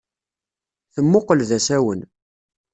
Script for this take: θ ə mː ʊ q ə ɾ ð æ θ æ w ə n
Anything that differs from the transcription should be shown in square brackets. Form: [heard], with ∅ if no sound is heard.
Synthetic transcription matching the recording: θ ə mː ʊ q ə [l] ð æ [s] æ w ə n